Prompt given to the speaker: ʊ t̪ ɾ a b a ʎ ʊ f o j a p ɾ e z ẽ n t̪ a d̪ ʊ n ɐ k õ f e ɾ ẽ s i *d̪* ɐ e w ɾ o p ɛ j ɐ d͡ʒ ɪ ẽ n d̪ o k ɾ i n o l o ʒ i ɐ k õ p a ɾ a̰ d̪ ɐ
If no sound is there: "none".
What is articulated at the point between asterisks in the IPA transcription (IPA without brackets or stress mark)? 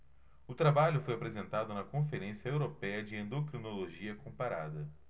none